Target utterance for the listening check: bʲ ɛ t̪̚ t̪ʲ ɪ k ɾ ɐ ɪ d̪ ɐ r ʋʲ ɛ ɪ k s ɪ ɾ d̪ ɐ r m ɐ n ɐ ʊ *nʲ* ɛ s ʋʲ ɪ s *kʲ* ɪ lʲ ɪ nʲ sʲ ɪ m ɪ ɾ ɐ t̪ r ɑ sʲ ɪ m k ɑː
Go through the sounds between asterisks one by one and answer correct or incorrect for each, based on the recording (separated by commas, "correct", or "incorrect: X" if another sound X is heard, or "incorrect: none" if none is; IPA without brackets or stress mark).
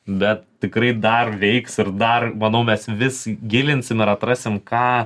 incorrect: mʲ, incorrect: ɡʲ